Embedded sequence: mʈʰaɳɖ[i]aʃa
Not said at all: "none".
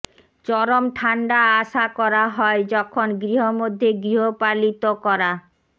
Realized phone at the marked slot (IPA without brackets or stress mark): a